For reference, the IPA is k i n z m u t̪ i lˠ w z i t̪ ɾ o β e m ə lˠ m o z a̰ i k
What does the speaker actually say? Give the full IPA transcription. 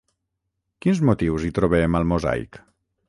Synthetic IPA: k i n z m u t̪ i w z i t̪ ɾ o β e m ə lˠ m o z a̰ j k